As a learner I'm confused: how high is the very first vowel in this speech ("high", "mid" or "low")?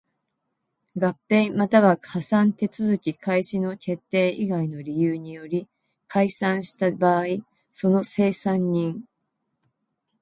low